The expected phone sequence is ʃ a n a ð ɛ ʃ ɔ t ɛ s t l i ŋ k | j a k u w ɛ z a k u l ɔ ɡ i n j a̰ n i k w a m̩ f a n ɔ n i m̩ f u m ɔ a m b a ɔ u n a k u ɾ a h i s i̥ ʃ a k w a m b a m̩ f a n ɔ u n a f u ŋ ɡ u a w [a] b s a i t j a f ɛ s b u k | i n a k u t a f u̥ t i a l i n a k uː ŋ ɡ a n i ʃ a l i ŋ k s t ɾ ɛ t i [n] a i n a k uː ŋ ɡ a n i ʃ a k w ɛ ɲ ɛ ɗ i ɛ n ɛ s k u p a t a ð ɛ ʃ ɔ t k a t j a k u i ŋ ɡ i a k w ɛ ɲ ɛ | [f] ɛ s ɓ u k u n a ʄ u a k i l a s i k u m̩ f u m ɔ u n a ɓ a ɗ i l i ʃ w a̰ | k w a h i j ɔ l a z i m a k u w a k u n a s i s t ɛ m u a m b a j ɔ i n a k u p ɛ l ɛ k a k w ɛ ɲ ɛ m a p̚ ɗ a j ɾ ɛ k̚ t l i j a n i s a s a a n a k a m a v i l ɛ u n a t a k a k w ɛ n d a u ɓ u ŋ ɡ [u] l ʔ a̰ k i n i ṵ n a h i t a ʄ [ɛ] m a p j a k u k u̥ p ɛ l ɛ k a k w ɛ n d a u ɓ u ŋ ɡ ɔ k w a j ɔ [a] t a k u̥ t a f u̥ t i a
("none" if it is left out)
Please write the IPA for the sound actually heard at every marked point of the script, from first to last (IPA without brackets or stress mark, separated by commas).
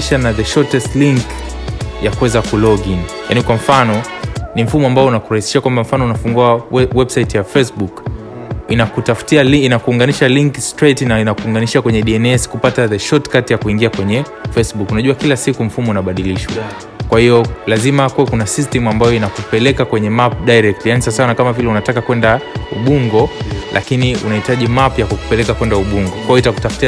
ɛ, n, f, ɔ, i, i